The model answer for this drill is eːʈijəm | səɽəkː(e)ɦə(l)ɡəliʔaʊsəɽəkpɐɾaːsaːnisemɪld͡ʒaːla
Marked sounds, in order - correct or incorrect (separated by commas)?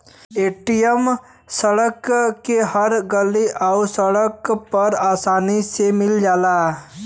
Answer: correct, incorrect